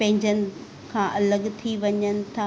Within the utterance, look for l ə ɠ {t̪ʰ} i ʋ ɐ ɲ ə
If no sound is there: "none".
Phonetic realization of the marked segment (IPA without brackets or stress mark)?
t̪ʰ